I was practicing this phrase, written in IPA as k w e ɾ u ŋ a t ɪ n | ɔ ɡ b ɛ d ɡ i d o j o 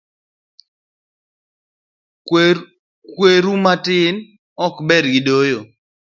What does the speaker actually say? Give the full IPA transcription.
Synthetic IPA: k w e ɾ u m a t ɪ n | ɔ k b ɛ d ɡ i d o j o